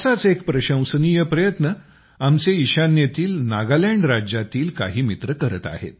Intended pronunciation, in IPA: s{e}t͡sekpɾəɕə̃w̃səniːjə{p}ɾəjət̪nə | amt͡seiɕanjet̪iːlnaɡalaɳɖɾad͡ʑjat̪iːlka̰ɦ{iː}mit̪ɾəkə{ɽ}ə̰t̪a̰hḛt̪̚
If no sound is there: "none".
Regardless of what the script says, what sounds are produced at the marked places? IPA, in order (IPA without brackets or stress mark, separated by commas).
a, p, iː, ɾ